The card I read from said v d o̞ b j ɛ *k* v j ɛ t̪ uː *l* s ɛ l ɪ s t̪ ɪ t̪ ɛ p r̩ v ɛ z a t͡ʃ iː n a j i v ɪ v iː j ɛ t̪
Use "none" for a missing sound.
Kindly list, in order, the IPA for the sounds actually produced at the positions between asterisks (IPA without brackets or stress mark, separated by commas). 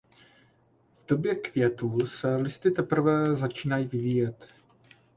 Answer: k, l